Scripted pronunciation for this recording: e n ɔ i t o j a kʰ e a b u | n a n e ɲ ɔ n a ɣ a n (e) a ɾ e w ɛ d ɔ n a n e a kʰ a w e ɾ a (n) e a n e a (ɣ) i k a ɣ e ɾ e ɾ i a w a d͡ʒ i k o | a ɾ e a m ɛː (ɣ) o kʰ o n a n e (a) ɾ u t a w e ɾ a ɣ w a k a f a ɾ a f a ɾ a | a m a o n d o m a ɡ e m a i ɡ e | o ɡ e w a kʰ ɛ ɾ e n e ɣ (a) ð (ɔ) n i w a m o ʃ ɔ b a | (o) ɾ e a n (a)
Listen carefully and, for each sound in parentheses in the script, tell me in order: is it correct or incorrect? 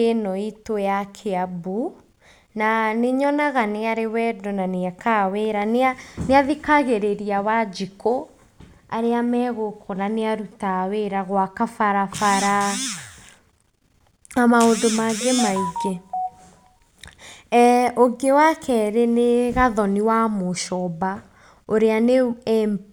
correct, correct, incorrect, correct, correct, correct, correct, correct, incorrect

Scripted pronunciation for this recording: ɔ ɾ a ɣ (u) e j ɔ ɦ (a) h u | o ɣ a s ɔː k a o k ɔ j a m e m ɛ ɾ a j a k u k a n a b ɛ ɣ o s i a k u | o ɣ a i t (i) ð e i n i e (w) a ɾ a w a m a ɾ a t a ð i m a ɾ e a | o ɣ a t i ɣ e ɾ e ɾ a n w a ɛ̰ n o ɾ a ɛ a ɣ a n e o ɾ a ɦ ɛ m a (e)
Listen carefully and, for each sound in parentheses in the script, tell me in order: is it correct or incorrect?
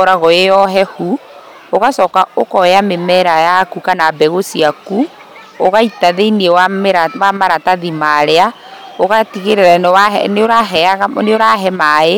incorrect, incorrect, incorrect, correct, correct

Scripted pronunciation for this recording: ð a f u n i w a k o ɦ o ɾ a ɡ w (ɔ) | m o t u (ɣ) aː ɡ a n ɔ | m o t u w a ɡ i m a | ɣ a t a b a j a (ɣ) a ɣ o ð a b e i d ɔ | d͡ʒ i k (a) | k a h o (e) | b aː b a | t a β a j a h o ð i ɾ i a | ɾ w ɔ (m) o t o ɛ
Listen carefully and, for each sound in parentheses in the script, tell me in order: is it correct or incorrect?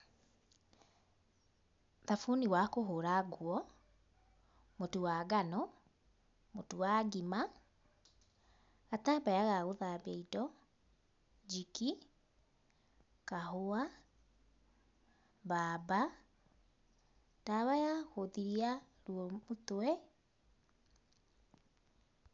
correct, incorrect, correct, incorrect, incorrect, correct

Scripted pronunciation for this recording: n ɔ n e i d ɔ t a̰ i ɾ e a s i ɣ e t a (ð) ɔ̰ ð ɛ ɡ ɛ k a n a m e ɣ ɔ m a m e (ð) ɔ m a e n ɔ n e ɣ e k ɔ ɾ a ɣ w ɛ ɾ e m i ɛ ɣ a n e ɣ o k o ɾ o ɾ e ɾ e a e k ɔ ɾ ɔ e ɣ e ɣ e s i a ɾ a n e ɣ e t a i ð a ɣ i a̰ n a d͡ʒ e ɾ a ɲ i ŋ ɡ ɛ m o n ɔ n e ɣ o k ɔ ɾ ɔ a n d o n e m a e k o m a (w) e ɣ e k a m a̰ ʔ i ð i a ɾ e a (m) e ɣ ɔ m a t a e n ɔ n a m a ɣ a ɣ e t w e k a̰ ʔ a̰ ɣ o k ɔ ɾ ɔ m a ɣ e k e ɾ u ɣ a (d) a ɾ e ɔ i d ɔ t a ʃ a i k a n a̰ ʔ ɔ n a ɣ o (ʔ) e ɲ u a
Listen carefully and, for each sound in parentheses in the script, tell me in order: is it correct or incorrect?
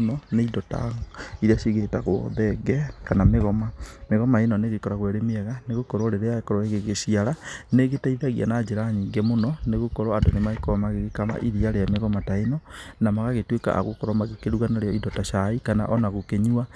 incorrect, incorrect, incorrect, correct, incorrect, incorrect

